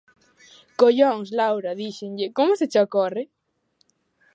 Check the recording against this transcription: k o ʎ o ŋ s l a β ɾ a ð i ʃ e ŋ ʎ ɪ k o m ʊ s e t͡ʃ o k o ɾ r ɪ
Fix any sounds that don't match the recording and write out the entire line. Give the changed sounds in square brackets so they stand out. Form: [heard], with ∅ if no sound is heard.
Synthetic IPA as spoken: k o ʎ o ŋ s l a [w] ɾ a ð i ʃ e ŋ ʎ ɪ k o m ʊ s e t͡ʃ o k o [∅] r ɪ